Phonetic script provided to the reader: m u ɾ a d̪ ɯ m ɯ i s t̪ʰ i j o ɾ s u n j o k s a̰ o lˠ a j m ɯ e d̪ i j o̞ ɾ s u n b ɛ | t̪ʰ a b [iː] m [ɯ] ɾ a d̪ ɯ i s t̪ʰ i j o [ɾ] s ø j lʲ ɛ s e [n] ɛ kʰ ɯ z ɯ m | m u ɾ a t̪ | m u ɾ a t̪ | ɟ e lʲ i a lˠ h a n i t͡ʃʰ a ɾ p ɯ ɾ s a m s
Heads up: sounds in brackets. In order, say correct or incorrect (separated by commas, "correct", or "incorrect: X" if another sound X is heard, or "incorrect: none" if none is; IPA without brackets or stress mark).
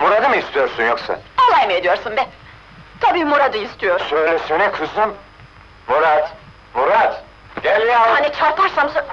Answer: correct, incorrect: u, correct, correct